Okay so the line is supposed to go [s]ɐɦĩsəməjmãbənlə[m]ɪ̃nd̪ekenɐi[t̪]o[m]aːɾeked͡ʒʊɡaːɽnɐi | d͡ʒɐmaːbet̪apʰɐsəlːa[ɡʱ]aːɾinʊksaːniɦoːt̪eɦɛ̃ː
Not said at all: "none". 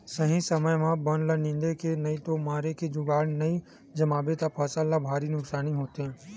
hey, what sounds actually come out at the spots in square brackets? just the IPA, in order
s, n, t̪, m, bʱ

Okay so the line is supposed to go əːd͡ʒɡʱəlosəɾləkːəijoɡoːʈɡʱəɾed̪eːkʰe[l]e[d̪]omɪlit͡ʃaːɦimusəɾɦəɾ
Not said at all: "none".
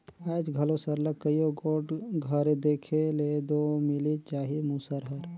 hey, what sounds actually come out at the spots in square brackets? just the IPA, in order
l, d̪

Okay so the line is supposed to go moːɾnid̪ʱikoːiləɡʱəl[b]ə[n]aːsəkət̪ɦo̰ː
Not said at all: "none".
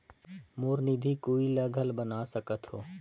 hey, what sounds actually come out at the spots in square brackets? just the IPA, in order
b, n

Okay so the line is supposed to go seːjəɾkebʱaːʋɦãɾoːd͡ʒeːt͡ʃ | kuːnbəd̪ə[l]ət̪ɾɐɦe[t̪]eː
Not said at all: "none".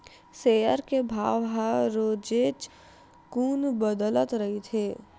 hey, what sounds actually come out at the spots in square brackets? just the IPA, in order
l, t̪ʰ

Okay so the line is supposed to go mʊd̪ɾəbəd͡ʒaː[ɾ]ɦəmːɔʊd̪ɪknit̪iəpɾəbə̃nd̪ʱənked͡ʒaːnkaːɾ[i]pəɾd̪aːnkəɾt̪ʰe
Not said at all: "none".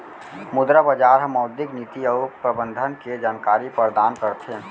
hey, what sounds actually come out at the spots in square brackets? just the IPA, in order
ɾ, i

